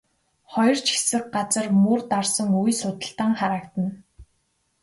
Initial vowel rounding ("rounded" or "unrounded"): rounded